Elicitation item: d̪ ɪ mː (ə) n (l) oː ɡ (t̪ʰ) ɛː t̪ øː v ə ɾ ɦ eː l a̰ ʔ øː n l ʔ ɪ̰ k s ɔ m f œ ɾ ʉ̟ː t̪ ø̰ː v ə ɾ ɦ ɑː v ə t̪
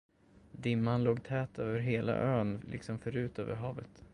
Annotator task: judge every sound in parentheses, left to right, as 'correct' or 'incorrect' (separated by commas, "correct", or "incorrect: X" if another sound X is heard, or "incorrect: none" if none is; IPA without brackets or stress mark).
incorrect: a, correct, correct